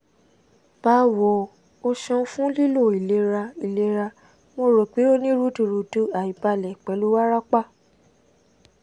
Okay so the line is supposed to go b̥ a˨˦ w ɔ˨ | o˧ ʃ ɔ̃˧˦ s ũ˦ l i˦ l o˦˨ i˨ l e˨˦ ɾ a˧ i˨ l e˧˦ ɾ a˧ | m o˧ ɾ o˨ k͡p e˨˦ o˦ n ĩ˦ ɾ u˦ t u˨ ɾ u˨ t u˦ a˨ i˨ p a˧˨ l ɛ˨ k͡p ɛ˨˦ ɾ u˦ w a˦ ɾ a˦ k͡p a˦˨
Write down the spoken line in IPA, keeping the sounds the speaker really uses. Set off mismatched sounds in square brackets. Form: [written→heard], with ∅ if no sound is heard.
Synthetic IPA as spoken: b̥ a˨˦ w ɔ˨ | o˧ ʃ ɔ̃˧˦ [s→f] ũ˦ l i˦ l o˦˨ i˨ l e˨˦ ɾ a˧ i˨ l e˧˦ ɾ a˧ | m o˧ ɾ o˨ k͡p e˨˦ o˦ n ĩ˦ ɾ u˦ t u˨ ɾ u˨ t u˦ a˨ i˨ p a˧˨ l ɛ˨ k͡p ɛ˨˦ [ɾ→l] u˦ w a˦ ɾ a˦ k͡p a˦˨